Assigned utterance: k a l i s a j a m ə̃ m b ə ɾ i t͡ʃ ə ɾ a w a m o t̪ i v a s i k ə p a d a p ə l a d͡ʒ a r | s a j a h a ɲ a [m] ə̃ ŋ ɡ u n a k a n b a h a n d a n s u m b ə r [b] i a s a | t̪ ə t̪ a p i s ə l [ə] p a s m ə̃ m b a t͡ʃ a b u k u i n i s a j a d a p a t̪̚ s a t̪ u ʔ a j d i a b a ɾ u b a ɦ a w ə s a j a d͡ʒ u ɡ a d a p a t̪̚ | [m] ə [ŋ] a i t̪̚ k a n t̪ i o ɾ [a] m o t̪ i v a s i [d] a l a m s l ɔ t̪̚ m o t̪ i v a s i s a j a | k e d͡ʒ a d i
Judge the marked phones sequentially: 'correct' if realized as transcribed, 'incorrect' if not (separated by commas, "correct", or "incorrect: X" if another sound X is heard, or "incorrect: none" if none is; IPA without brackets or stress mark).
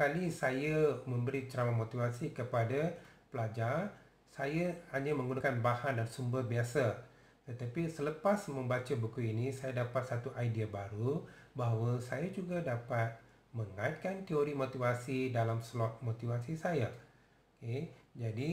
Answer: correct, correct, correct, correct, correct, incorrect: i, correct